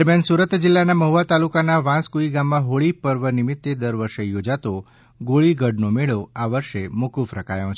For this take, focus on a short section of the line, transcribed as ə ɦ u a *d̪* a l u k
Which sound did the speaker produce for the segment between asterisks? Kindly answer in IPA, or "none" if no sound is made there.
t̪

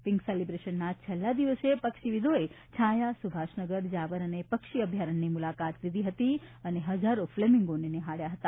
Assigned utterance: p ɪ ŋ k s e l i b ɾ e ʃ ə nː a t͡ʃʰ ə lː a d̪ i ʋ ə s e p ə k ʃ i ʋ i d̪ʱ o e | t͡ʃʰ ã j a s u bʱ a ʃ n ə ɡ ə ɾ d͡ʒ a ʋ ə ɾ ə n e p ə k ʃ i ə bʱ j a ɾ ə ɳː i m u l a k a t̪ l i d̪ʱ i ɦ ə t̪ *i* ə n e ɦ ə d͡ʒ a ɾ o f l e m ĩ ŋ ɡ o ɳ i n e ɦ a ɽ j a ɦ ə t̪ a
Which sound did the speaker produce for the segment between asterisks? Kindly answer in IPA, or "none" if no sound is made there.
i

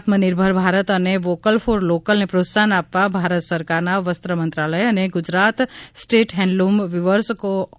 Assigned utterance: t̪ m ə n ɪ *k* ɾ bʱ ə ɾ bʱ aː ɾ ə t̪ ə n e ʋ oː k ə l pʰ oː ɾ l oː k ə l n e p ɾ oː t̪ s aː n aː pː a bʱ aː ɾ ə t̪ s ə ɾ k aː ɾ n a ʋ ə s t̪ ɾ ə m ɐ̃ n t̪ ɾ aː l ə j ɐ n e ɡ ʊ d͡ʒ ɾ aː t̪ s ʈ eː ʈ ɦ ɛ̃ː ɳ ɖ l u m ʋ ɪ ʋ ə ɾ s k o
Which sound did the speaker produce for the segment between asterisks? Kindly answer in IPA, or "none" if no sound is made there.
none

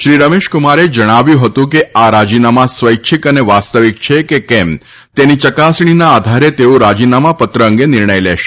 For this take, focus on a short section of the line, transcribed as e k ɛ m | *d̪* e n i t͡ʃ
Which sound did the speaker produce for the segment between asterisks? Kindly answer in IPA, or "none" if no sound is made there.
t̪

